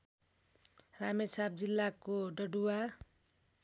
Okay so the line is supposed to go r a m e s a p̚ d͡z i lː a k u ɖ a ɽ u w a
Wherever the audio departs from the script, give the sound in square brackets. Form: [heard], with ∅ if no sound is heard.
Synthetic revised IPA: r a m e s a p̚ d͡z i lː a k [o] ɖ [ʌ] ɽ u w a